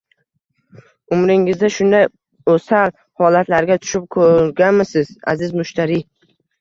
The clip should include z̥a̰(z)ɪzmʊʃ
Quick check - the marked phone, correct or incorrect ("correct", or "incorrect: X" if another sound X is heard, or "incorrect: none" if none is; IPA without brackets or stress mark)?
correct